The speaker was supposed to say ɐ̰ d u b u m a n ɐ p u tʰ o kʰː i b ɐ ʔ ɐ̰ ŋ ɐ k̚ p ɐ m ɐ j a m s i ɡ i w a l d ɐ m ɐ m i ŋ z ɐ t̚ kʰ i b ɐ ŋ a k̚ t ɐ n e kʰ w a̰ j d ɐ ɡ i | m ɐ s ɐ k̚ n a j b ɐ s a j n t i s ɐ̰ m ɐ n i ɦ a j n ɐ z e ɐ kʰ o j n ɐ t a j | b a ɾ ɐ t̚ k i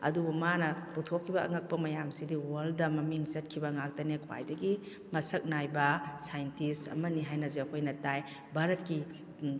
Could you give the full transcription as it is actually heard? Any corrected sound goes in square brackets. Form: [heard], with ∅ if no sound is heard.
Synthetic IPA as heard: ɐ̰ d u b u m a n ɐ p u tʰ o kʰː i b ɐ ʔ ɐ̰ ŋ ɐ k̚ p ɐ m ɐ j a m s i [d] i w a l d ɐ m ɐ m i ŋ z ɐ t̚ kʰ i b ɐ ŋ a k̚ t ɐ n e kʰ w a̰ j d ɐ ɡ i | m ɐ s ɐ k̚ n a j b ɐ s a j n t i s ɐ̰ m ɐ n i ɦ a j n ɐ z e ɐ kʰ o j n ɐ t a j | b a ɾ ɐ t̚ k i